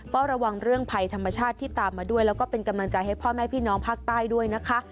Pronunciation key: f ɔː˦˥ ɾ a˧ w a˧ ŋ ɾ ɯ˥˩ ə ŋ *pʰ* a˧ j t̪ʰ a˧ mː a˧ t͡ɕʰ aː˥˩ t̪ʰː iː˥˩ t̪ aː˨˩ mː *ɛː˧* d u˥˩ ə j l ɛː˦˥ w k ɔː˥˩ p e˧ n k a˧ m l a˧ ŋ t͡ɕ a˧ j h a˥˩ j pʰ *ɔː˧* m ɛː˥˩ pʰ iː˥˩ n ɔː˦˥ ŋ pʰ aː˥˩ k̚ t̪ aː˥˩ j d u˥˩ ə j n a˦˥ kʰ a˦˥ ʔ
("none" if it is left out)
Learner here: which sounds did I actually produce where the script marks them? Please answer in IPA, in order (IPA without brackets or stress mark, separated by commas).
pʰ, aː˧, ɔː˥˩